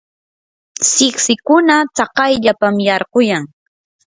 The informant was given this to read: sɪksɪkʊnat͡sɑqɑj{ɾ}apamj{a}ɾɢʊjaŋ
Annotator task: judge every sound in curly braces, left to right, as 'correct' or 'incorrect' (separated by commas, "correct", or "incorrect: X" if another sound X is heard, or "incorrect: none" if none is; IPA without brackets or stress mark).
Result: incorrect: ʎ, incorrect: ɑ